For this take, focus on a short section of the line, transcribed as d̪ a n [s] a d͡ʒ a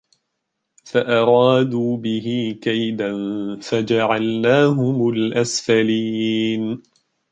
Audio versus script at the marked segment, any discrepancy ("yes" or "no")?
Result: yes